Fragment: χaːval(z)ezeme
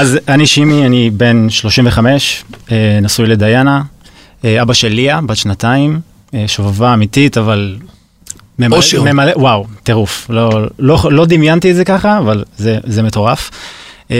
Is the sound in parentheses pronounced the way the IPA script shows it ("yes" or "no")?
yes